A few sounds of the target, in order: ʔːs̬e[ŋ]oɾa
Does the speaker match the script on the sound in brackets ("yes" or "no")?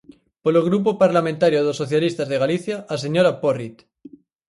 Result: no